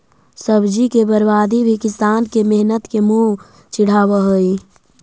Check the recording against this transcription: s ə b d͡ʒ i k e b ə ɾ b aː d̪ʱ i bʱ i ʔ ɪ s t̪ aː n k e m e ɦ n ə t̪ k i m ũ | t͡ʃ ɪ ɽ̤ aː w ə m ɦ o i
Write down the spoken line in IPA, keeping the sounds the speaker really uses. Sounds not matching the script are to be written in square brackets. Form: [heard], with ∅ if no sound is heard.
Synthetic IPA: s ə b d͡ʒ i k e b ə ɾ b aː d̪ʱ i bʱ i [k] ɪ s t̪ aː n k e m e ɦ n ə t̪ k [e] m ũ | t͡ʃ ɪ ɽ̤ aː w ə [∅] ɦ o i